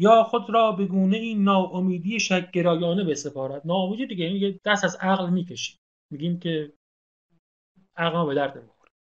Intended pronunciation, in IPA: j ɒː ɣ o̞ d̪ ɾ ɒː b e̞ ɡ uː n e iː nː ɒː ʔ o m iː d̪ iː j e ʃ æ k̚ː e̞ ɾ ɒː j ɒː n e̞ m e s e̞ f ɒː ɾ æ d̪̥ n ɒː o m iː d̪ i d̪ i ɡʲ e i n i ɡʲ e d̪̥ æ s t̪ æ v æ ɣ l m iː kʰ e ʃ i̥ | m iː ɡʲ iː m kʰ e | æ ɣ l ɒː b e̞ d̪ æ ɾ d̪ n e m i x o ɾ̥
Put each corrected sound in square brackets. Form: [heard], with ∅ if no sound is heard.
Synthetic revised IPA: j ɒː [x] o̞ d̪ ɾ ɒː b e̞ ɡ uː n e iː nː ɒː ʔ o m iː d̪ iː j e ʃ æ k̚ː e̞ ɾ ɒː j ɒː n e̞ [b] e s e̞ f ɒː ɾ æ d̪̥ n ɒː o m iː d̪ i d̪ i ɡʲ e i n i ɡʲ e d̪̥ æ s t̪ æ [z] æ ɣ l m iː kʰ e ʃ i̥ | m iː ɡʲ iː m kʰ e | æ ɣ l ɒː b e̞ d̪ æ ɾ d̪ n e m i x o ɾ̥